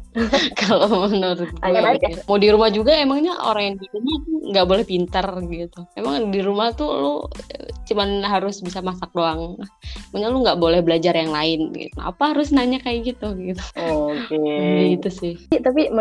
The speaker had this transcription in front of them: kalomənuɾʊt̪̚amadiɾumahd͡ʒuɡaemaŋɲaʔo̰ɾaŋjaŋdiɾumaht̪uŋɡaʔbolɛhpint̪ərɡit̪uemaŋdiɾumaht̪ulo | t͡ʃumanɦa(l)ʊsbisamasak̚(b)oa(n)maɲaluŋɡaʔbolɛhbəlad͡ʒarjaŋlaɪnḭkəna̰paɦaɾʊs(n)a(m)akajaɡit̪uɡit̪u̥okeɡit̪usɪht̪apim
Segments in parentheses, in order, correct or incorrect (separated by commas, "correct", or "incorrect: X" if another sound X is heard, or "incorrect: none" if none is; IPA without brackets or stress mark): incorrect: ɾ, incorrect: d, incorrect: ŋ, correct, incorrect: ɲ